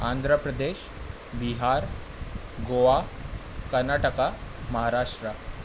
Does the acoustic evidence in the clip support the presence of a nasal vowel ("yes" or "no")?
no